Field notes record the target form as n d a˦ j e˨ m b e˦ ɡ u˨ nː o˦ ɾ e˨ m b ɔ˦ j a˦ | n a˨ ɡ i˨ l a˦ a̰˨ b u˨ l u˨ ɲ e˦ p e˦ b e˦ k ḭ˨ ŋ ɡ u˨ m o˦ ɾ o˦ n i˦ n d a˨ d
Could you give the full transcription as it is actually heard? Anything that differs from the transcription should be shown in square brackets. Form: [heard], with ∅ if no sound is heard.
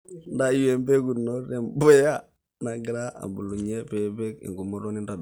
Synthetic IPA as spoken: n d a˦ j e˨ m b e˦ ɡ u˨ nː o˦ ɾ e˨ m b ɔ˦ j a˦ | n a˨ ɡ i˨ [ɾ] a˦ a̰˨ b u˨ l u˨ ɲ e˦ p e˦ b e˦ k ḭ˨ ŋ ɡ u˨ m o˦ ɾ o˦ n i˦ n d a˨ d